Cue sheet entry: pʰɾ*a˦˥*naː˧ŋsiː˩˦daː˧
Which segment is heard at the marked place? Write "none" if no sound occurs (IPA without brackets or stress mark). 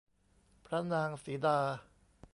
a˦˥